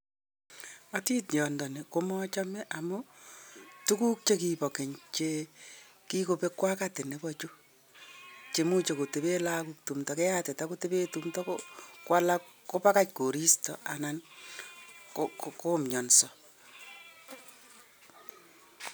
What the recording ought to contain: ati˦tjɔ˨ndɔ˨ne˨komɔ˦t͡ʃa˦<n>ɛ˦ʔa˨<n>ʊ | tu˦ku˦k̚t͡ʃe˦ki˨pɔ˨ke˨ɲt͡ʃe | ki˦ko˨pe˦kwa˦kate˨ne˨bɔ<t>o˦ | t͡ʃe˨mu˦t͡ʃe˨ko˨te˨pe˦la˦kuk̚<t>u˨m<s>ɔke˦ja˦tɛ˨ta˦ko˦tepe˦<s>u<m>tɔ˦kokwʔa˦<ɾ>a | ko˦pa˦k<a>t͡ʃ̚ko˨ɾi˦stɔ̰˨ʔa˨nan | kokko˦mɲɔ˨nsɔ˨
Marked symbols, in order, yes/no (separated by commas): no, no, no, yes, no, no, yes, no, yes